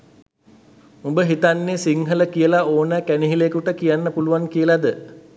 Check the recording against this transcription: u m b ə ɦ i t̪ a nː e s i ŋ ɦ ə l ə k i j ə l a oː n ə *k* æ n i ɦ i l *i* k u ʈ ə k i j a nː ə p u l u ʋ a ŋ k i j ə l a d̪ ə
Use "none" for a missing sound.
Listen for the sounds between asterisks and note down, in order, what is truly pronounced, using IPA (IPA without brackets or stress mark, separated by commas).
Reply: k, e